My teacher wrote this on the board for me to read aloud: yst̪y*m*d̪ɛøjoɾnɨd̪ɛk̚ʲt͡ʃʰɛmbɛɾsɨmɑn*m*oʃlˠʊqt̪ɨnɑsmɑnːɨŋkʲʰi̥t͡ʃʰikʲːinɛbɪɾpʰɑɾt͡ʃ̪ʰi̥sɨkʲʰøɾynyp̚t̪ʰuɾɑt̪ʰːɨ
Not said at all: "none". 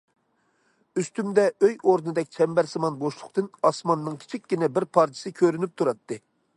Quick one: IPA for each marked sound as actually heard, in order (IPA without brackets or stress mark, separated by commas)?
m, b